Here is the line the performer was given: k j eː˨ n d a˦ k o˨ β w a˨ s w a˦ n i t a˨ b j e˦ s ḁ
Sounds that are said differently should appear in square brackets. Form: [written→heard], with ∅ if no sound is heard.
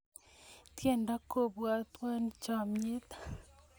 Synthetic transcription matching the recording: [k→t] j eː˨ n d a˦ k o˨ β w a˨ [s→t] w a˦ n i [t→t͡ʃ] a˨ [b→m] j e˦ [s→t] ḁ